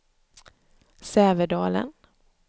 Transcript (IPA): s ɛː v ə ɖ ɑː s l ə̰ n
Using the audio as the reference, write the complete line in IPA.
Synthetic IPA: s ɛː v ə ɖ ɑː l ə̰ n